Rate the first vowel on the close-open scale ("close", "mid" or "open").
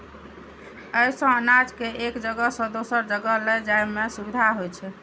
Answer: mid